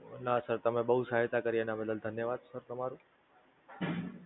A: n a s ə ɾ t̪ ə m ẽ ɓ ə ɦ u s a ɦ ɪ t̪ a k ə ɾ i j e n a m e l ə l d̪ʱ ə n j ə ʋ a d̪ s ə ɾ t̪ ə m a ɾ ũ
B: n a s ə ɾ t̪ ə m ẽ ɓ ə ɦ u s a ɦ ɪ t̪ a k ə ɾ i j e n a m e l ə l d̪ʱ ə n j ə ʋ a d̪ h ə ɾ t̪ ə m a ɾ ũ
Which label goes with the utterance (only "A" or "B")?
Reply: A